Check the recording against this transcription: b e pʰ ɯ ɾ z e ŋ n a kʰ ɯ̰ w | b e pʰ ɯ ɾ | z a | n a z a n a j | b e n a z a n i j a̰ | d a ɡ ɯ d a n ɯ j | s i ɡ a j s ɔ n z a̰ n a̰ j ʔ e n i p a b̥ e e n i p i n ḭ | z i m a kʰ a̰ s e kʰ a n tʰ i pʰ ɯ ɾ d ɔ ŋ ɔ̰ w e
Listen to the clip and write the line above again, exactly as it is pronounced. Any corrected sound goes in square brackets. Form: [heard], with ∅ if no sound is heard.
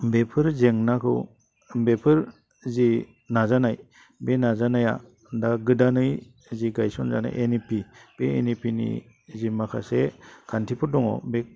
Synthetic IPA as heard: b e pʰ ɯ ɾ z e ŋ n a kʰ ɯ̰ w | b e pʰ ɯ ɾ | z [i] | n a z a n a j | b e n a z a n [a] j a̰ | d a ɡ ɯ d a n ɯ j | [z] i ɡ a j s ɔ n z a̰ n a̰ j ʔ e n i p [i] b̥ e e n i p i n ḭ | z i m a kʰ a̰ s e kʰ a n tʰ i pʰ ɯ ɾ d ɔ ŋ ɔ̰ [b] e

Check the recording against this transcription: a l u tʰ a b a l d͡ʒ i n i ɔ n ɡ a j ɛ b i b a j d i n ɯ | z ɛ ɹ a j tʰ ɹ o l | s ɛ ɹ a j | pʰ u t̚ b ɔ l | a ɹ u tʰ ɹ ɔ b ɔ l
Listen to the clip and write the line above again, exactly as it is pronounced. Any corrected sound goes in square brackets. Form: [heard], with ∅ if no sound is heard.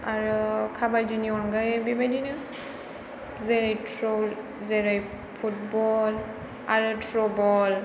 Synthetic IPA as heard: a [ɹ] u [kʰ] a b a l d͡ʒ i n i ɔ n ɡ a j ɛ b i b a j d i n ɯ | z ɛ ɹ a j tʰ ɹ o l | [z] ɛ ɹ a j | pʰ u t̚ b ɔ l | a ɹ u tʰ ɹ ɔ b ɔ l

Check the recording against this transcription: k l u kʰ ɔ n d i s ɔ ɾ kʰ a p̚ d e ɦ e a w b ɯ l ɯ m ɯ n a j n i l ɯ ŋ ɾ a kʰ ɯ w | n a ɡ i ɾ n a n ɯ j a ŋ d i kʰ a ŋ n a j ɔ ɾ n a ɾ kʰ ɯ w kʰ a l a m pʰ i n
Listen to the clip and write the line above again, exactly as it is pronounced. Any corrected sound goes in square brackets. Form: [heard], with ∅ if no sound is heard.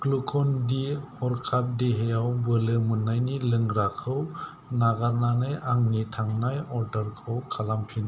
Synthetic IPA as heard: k l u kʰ ɔ n d i [h] ɔ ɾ kʰ a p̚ d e ɦ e a w b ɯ l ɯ m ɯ n a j n i l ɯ ŋ ɾ a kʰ ɯ w | n a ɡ [a] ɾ n a n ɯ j a ŋ [n] i [tʰ] a ŋ n a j ɔ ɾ [d] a ɾ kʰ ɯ w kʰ a l a m pʰ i n

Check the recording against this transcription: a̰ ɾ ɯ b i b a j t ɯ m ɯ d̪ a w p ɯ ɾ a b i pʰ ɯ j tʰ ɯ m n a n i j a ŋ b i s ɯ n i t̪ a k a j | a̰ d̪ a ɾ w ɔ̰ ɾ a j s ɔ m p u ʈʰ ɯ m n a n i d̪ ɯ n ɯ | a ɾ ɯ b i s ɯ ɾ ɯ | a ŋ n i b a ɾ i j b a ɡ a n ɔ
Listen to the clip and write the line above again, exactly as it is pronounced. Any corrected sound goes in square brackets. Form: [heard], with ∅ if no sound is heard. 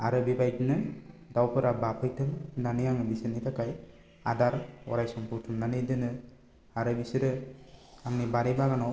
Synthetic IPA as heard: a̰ ɾ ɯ b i b a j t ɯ [n] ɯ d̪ a w p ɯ ɾ a b [a] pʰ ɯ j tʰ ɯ m n a n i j a ŋ b i s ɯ n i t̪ a k a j | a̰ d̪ a ɾ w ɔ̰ ɾ a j s ɔ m p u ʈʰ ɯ m n a n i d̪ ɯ n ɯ | a ɾ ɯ b i s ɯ ɾ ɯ | a ŋ n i b a ɾ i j b a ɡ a n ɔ

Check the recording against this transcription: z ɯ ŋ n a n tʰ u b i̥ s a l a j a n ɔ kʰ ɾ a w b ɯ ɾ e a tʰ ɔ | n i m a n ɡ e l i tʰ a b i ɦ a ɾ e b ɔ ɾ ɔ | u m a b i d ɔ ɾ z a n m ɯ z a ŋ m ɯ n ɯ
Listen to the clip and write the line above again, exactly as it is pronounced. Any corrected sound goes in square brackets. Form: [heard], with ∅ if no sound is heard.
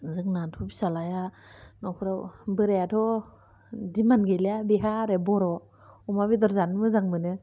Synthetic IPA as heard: z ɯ ŋ n a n tʰ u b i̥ s a l a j a n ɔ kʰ ɾ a w b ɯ ɾ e a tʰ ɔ | [d] i m a n ɡ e l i [∅] a b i ɦ a ɾ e b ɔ ɾ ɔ | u m a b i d ɔ ɾ z a n m ɯ z a ŋ m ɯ n ɯ

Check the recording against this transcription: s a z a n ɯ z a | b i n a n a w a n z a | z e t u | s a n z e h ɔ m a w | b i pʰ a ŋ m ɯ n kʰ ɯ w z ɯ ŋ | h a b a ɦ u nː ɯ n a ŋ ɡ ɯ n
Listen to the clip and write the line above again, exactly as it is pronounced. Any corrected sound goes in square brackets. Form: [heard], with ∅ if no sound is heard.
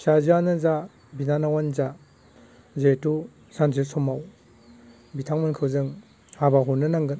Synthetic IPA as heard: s a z a n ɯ z a | b i n a n a w a n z a | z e t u | s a n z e [s] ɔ m a w | b i [tʰ] a ŋ m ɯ n kʰ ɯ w z ɯ ŋ | h a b a ɦ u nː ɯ n a ŋ ɡ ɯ n

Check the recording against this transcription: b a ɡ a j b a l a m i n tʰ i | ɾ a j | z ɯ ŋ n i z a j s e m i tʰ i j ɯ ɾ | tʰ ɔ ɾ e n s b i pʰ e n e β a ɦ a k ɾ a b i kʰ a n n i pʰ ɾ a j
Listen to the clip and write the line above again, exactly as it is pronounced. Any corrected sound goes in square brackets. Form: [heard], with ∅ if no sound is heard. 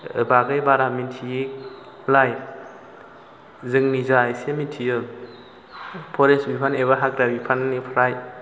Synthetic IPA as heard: b a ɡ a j b a [ɾ] a m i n tʰ i | [l] a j | z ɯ ŋ n i z a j s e m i tʰ i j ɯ [l] | [pʰ] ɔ ɾ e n s b i pʰ [a] n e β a ɦ a k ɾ a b i [pʰ] a n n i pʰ ɾ a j

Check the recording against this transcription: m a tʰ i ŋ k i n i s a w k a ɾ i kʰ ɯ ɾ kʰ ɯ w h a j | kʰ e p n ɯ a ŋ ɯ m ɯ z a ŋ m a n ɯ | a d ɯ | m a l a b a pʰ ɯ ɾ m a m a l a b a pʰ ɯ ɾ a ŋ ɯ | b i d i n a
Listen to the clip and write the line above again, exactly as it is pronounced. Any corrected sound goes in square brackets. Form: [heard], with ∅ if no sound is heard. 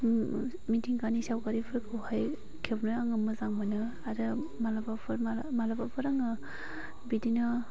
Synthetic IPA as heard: m [i] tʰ i ŋ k [a] n i s a w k a ɾ i [pʰ] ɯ ɾ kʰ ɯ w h a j | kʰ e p n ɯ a ŋ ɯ m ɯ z a ŋ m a n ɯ | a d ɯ | m a l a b a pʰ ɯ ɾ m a m a l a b a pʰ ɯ ɾ a ŋ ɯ | b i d i n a

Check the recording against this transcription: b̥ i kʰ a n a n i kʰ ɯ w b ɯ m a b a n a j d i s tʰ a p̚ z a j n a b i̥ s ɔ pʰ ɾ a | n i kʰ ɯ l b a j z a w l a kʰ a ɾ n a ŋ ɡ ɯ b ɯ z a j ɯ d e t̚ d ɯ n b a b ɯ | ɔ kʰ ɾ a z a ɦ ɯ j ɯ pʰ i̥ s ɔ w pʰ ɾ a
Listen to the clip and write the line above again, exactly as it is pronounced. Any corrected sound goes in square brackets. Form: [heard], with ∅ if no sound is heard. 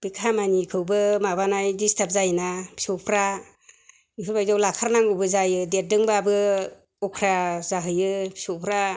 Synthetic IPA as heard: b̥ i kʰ a [m] a n i kʰ ɯ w b ɯ m a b a n a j d i s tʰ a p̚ z a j n a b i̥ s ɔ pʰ ɾ a | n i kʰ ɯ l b a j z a w l a kʰ a ɾ n a ŋ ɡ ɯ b ɯ z a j ɯ d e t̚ d ɯ [ŋ] b a b ɯ | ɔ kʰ ɾ a z a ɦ ɯ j ɯ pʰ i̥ s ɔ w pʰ ɾ a

